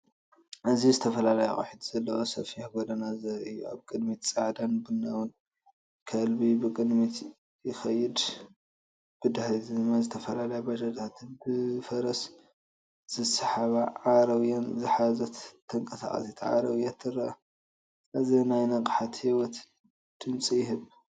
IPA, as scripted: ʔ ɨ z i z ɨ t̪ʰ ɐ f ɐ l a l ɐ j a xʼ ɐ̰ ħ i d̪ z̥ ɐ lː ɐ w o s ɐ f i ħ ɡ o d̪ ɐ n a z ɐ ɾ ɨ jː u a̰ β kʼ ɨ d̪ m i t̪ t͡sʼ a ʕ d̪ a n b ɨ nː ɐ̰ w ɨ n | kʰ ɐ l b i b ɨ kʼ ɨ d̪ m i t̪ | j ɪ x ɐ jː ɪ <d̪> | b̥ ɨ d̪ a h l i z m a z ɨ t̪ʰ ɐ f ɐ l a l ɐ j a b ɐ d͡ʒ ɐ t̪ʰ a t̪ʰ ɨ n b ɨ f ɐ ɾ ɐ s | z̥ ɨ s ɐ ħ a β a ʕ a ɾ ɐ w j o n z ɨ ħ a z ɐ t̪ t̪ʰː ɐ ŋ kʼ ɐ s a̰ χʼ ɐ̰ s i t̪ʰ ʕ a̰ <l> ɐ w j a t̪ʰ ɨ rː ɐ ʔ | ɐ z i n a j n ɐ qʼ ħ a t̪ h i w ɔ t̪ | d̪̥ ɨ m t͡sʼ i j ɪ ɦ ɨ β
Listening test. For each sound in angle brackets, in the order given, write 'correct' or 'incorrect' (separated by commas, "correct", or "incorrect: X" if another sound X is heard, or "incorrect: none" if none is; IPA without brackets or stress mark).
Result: correct, incorrect: ɾ